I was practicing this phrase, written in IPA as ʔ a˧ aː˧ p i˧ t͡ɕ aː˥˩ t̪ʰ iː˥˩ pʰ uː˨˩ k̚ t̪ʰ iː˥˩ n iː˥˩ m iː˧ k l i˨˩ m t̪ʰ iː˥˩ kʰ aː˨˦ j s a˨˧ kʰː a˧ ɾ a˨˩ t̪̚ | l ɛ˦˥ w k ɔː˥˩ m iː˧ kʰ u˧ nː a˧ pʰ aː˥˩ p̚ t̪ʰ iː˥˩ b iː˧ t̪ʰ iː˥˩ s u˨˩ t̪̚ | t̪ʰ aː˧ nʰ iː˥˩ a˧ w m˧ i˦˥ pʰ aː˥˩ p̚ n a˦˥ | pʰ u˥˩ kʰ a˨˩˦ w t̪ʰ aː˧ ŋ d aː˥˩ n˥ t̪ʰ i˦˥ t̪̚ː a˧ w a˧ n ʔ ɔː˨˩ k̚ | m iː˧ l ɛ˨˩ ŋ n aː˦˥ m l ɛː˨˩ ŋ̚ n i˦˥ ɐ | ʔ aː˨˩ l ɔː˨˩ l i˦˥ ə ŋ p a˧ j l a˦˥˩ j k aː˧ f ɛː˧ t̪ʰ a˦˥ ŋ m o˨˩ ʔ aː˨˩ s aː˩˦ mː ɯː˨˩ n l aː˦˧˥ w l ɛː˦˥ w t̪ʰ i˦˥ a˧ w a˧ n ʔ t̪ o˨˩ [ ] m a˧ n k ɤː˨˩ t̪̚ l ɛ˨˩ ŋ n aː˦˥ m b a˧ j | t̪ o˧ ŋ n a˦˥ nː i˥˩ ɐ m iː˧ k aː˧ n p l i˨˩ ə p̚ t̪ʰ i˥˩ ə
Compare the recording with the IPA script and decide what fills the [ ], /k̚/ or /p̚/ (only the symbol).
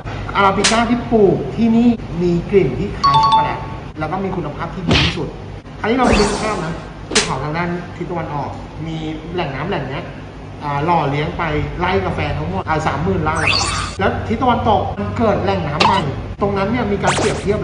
k̚